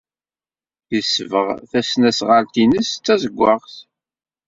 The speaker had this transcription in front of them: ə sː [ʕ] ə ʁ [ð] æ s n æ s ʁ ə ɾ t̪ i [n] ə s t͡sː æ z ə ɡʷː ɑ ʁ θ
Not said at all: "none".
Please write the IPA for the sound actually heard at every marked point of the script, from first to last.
v, θ, n

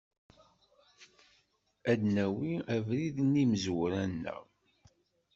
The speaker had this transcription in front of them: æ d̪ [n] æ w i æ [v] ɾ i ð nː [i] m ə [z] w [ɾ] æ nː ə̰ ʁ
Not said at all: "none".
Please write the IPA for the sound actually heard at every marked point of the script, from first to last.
n, v, i, z, ɾ

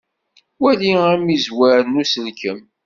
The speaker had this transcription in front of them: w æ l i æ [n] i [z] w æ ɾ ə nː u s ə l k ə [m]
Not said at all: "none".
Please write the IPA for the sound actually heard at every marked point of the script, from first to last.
m, z, m

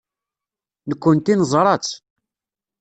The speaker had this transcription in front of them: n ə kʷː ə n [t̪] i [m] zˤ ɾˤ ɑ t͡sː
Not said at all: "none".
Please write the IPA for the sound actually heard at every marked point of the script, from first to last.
t̪, n

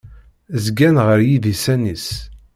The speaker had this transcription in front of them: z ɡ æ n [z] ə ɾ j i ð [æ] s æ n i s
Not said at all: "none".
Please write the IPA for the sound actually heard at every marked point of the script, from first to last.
ʁ, i

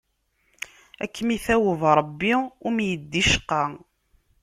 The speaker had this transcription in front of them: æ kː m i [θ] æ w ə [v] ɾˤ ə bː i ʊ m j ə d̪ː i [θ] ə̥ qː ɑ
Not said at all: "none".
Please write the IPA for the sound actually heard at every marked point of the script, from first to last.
θ, v, ʃ

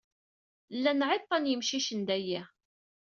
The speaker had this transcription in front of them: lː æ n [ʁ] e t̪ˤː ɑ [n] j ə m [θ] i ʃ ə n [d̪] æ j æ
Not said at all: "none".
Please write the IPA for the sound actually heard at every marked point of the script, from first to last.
ʕ, n, ʃ, d̪

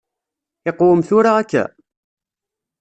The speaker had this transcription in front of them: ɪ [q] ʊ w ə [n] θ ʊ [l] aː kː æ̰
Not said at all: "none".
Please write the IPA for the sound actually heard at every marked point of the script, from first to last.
q, m, ɾ

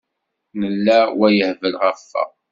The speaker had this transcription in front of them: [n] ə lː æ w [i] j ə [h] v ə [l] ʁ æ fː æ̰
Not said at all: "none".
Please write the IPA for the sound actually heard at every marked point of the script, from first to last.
n, æ, h, l

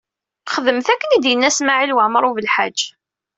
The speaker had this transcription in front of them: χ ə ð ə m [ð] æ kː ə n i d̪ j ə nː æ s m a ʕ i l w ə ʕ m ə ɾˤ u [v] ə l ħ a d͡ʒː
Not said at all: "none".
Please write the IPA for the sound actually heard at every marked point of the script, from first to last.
θ, v

